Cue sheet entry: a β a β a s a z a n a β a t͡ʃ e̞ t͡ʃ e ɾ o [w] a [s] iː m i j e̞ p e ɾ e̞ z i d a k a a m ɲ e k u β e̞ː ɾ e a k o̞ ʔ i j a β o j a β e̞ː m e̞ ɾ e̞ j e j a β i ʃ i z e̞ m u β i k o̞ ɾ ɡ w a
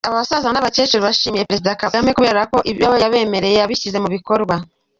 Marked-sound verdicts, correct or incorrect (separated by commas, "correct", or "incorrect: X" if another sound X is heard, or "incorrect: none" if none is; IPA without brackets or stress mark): incorrect: β, incorrect: ʃ